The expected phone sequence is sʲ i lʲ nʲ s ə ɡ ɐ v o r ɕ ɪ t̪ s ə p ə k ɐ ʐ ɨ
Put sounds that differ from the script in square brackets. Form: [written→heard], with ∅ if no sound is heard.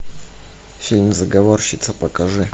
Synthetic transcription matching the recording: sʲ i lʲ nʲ [s→z] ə ɡ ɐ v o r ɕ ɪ t̪ s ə p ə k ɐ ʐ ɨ